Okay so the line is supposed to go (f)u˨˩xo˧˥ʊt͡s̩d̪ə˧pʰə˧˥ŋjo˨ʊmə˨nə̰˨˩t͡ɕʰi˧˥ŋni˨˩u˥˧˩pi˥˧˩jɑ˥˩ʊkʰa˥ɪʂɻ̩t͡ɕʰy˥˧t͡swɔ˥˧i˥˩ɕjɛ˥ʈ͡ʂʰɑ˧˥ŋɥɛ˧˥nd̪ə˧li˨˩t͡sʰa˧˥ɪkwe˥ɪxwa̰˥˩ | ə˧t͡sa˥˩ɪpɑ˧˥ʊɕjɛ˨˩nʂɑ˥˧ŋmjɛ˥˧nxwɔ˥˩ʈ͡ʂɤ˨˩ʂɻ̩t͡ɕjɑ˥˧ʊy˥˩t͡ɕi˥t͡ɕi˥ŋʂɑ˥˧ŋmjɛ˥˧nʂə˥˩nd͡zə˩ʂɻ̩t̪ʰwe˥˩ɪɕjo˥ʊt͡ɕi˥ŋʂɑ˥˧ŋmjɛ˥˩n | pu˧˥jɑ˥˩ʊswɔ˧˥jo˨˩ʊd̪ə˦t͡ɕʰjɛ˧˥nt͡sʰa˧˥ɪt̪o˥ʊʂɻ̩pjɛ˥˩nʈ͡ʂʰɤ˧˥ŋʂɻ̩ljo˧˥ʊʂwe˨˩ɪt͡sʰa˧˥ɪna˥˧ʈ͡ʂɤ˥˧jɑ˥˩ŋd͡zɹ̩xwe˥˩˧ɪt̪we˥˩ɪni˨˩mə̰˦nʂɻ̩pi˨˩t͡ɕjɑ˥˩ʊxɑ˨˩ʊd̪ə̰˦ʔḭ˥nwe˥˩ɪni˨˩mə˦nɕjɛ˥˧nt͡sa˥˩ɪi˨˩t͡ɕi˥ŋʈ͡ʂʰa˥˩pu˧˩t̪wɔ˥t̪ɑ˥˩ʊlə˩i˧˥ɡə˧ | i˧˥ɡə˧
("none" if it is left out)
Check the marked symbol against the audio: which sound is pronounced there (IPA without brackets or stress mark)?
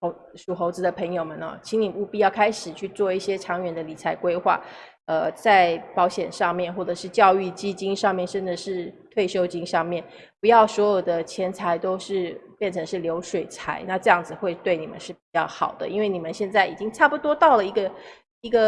ʂ